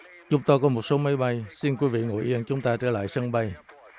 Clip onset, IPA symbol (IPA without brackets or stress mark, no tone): t͡ɕ